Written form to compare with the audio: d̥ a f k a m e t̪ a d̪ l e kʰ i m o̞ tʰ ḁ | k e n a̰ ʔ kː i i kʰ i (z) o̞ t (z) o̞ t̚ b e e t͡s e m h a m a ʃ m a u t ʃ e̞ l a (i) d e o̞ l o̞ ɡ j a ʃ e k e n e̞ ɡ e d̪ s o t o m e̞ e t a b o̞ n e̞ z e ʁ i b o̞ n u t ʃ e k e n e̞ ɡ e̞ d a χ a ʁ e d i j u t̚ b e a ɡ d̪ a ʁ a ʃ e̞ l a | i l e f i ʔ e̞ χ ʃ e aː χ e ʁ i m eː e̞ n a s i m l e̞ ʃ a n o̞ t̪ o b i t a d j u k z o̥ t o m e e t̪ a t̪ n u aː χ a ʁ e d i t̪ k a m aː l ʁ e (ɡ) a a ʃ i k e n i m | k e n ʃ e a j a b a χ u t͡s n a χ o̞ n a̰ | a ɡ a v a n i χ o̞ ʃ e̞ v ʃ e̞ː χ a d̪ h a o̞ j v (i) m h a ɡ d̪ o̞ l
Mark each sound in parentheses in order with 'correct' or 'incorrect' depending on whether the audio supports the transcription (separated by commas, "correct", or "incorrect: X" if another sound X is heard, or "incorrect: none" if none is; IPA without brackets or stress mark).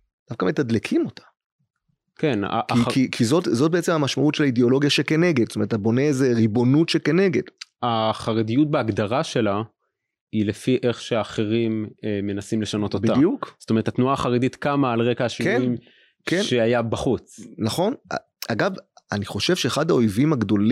correct, correct, correct, incorrect: k, correct